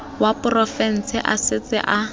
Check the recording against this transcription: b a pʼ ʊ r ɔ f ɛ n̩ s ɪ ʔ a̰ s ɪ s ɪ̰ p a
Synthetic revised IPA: w a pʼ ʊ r ɔ f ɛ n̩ s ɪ ʔ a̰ s ɪ t͡s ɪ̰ ʔ a